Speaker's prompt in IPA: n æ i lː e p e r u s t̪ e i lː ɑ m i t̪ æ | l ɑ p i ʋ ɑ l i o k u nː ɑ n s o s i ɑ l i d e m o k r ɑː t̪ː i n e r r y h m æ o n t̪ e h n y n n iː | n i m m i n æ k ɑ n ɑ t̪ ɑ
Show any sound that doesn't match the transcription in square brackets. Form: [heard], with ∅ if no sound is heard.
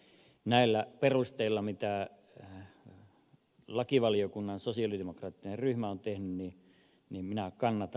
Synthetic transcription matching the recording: n æ i lː [æ] p e r u s t̪ e i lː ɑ m i t̪ æ | l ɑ [k] i ʋ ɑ l i o k u nː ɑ n s o s i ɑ l i d e m o k r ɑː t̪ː i n e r r y h m æ o n t̪ e h n y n n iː | n i m m i n æ k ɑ [nː] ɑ t̪ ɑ